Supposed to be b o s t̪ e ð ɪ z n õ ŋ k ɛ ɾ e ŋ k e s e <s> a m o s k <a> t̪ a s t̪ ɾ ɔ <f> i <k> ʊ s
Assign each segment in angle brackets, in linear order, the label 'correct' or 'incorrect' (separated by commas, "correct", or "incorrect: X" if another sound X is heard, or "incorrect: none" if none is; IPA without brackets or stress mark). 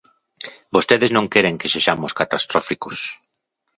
incorrect: ʃ, correct, correct, correct